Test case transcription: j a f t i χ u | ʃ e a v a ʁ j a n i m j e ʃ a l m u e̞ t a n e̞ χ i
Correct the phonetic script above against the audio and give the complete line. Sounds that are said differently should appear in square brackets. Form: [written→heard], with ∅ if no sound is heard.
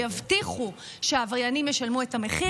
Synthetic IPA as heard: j a [f→v] t i χ u | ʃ e a v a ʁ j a n i m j e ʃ a l m u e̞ t a [n→m] e̞ χ i